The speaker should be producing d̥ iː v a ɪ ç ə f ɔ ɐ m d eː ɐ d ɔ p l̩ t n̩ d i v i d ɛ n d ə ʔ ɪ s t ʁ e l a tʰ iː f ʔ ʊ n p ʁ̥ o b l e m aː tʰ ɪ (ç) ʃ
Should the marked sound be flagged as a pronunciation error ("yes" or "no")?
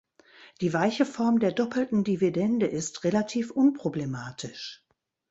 yes